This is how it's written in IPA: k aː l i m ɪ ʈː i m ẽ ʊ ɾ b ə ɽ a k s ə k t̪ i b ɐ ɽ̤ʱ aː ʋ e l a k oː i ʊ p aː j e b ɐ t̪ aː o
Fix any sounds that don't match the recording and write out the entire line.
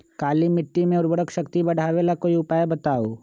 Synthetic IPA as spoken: k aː l i m ɪ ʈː i m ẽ ʊ ɾ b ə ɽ ə k ʃ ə k t̪ i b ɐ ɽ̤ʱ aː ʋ e l a k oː i ʊ p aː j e b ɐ t̪ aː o